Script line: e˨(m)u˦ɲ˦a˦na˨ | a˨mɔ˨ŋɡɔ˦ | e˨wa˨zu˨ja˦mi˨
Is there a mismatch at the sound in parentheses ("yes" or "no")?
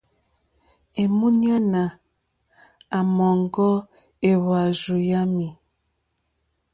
no